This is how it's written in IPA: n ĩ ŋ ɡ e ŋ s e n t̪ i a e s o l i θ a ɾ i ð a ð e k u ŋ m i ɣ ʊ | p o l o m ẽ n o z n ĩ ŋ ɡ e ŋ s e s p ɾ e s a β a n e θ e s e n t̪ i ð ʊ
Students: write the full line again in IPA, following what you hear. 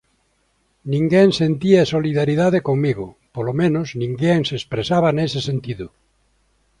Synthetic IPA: n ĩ ŋ ɡ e ŋ s e n t̪ i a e s o l i ð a ɾ i ð a ð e k o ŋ m i ɣ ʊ | p o l o m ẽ n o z n ĩ ŋ ɡ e ŋ s e s p ɾ e s a β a n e s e s e n t̪ i ð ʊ